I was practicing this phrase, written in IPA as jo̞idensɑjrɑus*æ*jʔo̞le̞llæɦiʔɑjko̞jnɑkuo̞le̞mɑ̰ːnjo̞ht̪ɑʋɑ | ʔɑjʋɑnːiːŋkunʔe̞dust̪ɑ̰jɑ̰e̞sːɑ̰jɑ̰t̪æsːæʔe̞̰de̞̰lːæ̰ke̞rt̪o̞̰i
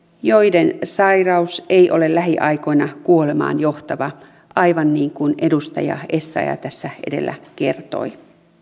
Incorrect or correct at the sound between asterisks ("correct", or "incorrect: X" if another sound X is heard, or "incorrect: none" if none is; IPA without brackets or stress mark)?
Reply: incorrect: e